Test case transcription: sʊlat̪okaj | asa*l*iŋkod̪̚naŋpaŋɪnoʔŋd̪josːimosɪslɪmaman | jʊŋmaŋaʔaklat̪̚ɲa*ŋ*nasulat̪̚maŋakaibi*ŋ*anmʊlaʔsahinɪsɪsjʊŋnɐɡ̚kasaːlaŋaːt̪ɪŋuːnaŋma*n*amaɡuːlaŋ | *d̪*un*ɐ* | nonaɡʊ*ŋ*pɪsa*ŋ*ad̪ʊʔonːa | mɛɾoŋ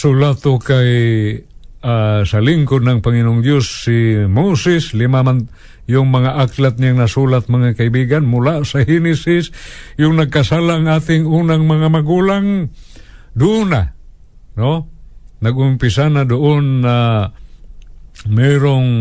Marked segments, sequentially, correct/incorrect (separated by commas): correct, correct, incorrect, incorrect, correct, incorrect, incorrect, incorrect